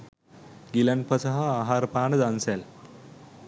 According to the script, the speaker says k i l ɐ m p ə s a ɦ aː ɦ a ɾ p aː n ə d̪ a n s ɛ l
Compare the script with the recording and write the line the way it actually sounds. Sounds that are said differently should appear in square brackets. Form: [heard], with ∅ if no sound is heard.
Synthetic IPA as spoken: [ɡ] i l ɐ [n] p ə s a ɦ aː ɦ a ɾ p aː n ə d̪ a n s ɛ l